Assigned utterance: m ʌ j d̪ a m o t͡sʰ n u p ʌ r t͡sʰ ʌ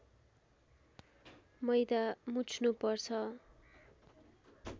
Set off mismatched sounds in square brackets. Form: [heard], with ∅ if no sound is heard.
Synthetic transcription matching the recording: m ʌ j d̪ a m [u] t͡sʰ n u p ʌ r t͡sʰ ʌ